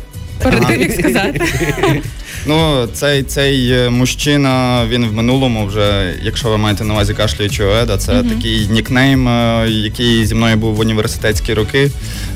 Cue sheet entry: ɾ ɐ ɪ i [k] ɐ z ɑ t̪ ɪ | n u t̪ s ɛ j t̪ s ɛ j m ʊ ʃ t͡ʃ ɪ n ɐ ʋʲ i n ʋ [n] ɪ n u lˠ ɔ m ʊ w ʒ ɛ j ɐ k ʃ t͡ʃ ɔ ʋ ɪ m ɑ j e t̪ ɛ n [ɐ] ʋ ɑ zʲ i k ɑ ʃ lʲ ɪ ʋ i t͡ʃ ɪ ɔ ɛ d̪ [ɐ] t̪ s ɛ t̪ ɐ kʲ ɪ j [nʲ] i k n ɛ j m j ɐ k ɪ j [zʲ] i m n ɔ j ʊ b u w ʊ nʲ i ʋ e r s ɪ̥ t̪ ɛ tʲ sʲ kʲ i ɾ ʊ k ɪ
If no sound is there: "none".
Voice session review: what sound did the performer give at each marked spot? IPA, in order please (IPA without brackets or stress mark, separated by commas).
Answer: k, m, ɐ, ɐ, nʲ, zʲ